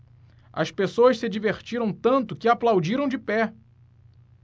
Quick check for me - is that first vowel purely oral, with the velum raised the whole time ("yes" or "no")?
yes